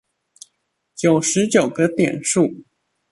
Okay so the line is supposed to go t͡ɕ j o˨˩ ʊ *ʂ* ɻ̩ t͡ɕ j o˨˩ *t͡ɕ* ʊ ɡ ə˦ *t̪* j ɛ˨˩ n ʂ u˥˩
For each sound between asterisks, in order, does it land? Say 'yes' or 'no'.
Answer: yes, no, yes

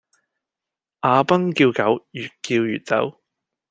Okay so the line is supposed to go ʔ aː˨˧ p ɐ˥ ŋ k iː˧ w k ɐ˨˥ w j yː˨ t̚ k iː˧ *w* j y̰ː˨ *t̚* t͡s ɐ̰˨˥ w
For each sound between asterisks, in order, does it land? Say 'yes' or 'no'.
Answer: yes, yes

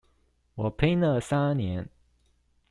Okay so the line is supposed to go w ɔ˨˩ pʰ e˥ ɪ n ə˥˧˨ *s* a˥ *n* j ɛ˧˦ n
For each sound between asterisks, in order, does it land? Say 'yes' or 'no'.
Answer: yes, yes

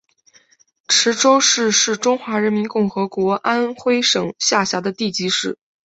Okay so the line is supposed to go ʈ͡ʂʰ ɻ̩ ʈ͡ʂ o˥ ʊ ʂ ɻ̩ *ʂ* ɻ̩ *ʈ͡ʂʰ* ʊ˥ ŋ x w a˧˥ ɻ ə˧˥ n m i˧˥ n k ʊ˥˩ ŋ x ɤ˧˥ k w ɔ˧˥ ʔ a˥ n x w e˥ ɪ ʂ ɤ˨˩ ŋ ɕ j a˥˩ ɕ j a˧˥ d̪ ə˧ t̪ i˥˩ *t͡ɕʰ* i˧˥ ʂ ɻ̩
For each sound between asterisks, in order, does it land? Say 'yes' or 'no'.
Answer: yes, no, no

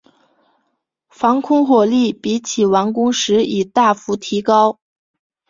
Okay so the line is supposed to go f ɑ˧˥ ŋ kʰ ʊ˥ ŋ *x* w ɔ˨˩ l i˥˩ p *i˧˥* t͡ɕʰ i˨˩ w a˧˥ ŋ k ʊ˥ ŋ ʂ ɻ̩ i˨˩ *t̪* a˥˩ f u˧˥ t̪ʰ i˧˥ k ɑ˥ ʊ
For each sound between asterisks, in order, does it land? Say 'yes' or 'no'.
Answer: yes, yes, yes

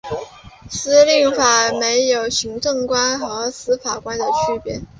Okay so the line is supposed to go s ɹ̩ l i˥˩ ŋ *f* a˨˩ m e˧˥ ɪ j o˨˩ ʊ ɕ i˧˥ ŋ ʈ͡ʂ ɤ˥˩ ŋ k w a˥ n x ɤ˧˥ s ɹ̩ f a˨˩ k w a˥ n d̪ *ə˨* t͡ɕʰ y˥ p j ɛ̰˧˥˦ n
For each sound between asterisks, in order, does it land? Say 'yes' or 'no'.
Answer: yes, yes

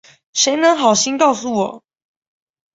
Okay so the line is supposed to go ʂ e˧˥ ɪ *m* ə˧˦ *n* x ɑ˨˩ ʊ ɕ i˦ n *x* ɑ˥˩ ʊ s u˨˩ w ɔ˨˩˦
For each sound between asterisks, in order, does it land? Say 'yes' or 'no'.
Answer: no, no, no

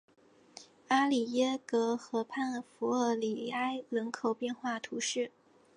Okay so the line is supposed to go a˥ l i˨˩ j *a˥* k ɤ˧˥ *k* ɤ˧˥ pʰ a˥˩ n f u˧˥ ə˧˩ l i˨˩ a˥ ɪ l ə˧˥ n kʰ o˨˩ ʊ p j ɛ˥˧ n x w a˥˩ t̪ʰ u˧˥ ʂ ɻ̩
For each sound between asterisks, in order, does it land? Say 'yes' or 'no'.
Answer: no, no

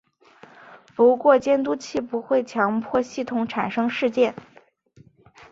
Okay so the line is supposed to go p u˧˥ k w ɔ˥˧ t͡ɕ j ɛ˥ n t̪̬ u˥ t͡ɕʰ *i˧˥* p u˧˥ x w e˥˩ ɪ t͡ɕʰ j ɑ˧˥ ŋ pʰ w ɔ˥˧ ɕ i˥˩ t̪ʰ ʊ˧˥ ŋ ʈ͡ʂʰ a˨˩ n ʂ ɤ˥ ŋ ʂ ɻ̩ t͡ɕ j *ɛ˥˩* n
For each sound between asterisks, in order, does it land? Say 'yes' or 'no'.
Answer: no, yes

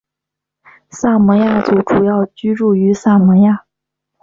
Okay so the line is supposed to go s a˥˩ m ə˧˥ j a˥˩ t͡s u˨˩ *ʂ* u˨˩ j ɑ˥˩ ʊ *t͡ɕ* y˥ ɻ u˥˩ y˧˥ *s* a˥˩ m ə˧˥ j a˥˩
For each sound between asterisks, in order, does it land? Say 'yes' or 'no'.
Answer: no, yes, yes

